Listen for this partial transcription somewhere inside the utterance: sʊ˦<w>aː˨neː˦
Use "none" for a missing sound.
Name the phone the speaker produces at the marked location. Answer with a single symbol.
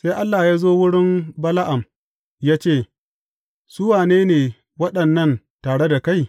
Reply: w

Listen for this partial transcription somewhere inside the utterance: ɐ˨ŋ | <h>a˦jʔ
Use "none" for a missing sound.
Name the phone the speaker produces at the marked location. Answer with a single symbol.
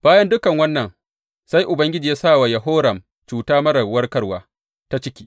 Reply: s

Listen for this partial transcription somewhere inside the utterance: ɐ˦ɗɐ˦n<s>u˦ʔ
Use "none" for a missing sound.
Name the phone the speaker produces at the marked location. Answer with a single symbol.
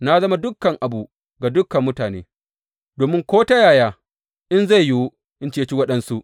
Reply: s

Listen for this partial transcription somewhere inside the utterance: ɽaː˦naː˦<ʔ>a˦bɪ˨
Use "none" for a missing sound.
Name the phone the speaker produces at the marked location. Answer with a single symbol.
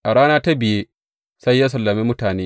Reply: t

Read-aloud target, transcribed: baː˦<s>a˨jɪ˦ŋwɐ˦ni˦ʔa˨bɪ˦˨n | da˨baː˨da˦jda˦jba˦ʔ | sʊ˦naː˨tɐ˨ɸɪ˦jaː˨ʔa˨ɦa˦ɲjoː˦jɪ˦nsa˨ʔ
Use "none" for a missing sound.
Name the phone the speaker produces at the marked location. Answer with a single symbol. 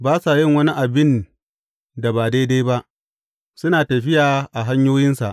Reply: s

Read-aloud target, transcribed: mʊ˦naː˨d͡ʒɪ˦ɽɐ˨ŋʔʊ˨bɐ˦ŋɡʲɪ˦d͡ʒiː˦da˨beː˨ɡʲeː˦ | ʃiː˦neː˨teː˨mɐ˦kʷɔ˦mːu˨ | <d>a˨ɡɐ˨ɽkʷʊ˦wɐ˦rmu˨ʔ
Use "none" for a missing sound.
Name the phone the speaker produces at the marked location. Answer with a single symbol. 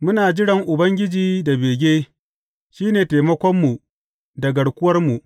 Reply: d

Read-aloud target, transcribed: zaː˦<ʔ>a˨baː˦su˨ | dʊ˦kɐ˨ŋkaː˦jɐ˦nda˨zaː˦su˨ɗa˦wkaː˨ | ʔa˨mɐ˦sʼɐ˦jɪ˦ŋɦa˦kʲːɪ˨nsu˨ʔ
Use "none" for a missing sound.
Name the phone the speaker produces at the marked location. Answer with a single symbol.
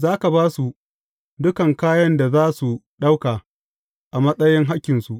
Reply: k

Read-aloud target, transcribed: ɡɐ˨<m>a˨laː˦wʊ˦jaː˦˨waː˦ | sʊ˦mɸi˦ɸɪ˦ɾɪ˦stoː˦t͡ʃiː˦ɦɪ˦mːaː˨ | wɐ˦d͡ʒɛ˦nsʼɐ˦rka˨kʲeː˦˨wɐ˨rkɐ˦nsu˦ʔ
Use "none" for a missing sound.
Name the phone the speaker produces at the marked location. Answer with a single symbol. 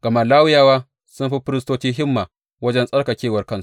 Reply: m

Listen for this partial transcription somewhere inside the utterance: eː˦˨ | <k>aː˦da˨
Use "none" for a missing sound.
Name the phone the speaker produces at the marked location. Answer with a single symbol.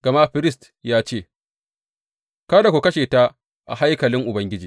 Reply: k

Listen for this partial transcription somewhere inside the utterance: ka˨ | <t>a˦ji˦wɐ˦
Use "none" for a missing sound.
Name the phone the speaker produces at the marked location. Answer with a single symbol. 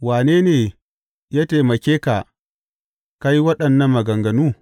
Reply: k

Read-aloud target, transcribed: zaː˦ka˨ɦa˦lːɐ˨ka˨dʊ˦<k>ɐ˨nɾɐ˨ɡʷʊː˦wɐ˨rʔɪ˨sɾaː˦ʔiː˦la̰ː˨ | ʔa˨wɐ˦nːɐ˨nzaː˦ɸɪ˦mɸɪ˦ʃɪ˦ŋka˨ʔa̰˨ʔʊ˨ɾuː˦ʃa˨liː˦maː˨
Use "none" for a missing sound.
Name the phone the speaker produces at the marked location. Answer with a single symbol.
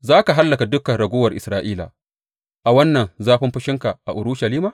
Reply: k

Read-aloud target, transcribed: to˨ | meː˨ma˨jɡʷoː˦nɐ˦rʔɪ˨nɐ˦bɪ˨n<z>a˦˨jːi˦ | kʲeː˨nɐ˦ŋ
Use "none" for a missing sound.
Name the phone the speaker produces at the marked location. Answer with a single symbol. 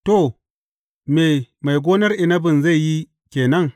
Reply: z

